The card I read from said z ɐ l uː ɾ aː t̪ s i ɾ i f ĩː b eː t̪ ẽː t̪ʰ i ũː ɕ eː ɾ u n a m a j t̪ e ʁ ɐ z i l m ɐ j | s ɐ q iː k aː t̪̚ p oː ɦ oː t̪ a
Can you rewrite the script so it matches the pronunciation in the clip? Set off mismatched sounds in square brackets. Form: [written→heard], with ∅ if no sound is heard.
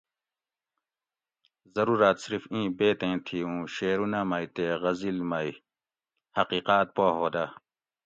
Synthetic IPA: z ɐ [l→ɾ] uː ɾ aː t̪ s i ɾ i f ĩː b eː t̪ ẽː t̪ʰ i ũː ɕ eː ɾ u n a m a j t̪ e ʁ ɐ z i l m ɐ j | [s→h] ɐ q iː [k→q] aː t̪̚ p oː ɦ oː [t̪→d̪] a